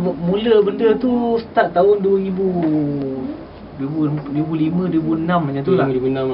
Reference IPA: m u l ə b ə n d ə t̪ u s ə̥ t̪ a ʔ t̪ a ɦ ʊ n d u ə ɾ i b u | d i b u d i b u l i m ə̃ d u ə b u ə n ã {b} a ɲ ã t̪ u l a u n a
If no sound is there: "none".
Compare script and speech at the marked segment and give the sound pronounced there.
m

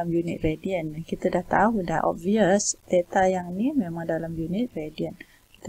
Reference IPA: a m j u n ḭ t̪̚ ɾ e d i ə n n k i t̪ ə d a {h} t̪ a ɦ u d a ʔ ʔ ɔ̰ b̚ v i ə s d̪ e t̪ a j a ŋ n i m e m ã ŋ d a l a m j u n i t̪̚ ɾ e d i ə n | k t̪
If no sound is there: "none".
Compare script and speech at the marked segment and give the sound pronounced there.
h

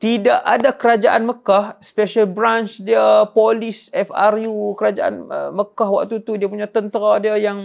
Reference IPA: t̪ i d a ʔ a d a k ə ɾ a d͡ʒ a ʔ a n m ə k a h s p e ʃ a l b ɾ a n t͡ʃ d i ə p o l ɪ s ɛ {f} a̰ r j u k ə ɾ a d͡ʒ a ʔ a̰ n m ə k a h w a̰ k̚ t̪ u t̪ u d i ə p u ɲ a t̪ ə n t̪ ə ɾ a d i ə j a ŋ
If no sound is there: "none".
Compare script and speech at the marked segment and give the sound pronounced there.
f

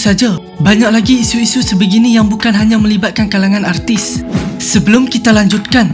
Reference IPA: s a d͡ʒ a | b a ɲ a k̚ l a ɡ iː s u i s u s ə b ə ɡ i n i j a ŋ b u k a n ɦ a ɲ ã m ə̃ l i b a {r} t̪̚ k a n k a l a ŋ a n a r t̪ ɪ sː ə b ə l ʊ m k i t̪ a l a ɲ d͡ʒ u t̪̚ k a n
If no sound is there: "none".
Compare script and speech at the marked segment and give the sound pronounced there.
none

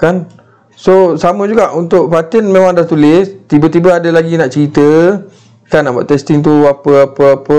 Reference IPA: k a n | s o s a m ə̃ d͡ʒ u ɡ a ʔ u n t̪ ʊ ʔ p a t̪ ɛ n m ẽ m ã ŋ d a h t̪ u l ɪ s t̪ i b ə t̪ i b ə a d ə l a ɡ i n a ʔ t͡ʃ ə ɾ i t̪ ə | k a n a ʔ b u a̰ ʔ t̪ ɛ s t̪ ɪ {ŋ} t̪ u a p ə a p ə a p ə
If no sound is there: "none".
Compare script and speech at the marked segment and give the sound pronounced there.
ŋ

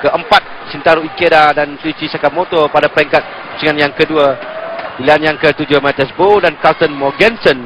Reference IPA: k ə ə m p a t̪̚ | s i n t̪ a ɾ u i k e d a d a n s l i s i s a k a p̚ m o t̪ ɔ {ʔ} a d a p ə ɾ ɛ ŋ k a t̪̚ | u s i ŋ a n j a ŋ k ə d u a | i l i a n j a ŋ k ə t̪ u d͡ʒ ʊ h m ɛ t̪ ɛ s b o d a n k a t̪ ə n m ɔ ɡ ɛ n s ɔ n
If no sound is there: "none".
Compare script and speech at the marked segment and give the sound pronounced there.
p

